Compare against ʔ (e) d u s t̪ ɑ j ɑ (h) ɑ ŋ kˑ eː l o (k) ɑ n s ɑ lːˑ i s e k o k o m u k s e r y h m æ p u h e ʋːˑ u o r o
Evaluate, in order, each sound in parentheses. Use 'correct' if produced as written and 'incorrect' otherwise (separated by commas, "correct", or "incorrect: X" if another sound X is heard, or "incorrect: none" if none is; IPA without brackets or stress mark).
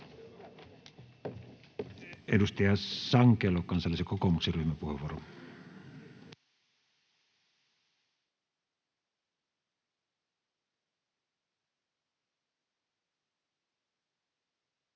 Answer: correct, incorrect: s, correct